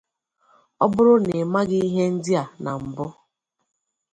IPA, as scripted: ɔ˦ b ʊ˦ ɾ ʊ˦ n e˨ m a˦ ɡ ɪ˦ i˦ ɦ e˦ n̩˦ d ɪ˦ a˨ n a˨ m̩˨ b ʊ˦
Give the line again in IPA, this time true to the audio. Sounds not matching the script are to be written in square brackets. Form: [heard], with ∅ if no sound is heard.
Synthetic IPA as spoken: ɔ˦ b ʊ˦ ɾ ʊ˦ n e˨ m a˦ ɡ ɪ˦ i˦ ɦ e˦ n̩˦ d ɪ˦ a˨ n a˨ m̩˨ b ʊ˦